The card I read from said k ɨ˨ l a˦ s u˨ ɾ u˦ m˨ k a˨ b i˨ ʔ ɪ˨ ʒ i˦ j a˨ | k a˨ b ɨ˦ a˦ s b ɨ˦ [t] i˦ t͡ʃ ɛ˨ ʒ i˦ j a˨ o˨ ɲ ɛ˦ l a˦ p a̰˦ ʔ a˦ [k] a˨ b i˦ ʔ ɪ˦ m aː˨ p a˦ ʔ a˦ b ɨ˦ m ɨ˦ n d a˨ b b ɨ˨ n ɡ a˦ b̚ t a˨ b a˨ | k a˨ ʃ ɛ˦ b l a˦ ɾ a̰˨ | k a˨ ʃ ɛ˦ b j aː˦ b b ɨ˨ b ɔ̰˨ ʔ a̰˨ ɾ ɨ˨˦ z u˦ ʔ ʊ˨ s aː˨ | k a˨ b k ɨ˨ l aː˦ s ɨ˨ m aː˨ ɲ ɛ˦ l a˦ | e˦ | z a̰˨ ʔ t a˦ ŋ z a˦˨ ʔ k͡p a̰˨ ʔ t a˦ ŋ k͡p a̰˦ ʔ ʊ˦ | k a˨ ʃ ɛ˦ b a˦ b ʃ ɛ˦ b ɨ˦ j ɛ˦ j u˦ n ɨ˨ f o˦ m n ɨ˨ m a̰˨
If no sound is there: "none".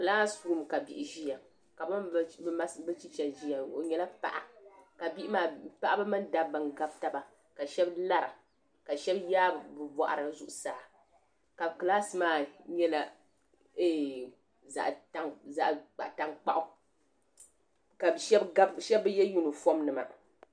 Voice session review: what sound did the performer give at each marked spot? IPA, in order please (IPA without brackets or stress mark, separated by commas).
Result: t͡ʃ, k